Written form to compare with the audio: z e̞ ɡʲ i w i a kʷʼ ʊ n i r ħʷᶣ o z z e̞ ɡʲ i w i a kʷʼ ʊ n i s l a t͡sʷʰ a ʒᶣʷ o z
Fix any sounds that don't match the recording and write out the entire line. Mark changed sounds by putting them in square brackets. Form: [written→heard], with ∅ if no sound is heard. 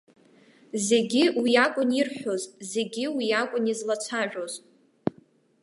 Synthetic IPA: z e̞ ɡʲ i w i a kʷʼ ʊ n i r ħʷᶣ o z z e̞ ɡʲ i w i a kʷʼ ʊ n i [s→z] l a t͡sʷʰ a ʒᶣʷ o z